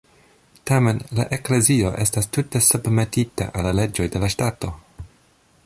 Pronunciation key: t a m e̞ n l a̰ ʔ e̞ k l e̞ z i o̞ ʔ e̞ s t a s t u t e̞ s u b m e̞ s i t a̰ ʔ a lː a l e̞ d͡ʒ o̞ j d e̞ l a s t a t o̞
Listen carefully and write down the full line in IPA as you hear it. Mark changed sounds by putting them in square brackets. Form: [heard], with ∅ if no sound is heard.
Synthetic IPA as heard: t a m e̞ n l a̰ ʔ e̞ k l e̞ z i o̞ ʔ e̞ s t a s t u t e̞ s u b m e̞ [t] i t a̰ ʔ a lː a l e̞ d͡ʒ o̞ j d e̞ l a [ʃ] t a t o̞